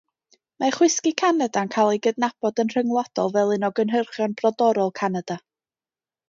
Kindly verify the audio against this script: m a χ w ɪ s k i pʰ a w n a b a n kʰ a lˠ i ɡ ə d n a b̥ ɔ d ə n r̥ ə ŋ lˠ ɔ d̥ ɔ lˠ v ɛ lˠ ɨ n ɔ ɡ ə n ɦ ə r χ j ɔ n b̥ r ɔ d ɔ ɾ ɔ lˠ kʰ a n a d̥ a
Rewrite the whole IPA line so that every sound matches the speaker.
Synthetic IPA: m a χ w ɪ s k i kʰ a n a d a n kʰ a lˠ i ɡ ə d n a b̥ ɔ d ə n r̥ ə ŋ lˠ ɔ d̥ ɔ lˠ v ɛ lˠ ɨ n ɔ ɡ ə n ɦ ə r χ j ɔ n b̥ r ɔ d ɔ ɾ ɔ lˠ kʰ a n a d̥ a

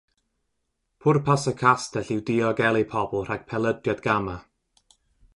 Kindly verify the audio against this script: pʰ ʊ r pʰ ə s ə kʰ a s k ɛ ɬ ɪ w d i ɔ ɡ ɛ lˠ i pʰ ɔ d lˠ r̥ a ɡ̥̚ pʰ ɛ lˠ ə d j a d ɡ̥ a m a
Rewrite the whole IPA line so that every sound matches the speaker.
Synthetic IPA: pʰ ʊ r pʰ a s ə kʰ a s t ɛ ɬ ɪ w d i ɔ ɡ ɛ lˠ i pʰ ɔ b lˠ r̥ a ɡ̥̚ pʰ ɛ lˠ ə d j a d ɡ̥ a m a

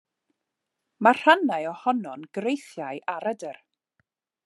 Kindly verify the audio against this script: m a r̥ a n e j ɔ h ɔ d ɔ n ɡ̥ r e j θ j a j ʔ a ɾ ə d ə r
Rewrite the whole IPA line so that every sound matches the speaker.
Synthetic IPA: m a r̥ a n a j ɔ h ɔ n ɔ n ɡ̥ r e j θ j a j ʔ a ɾ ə d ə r

